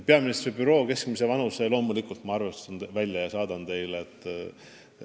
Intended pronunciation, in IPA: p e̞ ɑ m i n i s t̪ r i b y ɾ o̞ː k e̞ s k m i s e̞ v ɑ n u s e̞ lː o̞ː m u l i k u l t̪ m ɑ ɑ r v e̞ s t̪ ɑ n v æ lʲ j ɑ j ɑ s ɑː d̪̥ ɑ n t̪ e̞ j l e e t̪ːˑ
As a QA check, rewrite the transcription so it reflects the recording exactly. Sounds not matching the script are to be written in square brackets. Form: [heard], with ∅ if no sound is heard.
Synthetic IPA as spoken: p e̞ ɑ m i n i s t̪ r i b y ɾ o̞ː k e̞ s k m i s e̞ v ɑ n u s e̞ [l] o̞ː m u l i k u l t̪ m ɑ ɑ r v e̞ s t̪ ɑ n v æ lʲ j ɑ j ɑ s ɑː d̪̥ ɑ n t̪ e̞ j l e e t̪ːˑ